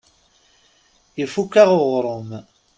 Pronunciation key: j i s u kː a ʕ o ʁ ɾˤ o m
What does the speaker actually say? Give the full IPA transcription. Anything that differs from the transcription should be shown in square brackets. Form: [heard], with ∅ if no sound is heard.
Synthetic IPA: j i [f] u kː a [ʁ] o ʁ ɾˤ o m